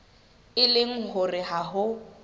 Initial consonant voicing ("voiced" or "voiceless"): voiced